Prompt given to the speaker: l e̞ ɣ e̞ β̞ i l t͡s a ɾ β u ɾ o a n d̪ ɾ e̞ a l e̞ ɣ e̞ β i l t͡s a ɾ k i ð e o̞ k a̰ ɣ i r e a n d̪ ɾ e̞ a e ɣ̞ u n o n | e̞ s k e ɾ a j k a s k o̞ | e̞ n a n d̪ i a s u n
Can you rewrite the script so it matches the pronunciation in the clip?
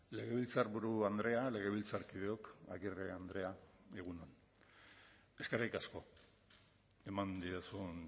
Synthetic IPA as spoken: l e̞ ɣ e̞ β̞ i l t͡s a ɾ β u ɾ u a n d̪ ɾ e̞ a l e̞ ɣ e̞ β i l t͡s a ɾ k i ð e o̞ k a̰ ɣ i r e a n d̪ ɾ e̞ a e ɣ̞ u n o n | e̞ s k e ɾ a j k a s k o̞ | e̞ m a n d̪ i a s u n